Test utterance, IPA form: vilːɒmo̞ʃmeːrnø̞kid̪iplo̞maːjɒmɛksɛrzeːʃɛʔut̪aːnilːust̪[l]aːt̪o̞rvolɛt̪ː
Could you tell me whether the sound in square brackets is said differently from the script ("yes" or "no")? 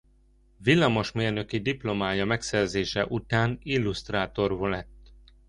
yes